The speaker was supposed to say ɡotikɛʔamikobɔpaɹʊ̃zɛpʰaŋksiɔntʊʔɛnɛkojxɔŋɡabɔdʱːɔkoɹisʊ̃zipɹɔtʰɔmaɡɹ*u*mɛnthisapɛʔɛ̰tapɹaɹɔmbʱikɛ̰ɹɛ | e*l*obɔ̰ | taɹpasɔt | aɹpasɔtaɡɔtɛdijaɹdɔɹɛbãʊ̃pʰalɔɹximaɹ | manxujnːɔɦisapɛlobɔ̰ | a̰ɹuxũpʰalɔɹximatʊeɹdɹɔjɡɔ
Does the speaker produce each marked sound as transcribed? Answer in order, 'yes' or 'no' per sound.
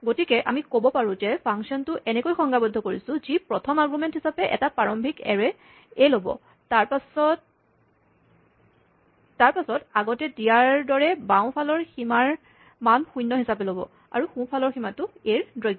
yes, yes

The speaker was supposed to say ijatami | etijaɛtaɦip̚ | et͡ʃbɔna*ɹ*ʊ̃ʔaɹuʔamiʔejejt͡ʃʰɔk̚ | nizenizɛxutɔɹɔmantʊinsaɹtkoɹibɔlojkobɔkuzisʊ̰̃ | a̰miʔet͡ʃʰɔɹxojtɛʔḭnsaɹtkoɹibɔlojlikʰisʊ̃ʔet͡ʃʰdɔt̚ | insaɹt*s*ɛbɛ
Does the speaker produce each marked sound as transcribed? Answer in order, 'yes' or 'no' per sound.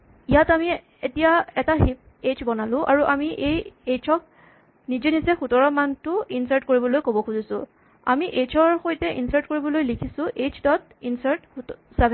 no, yes

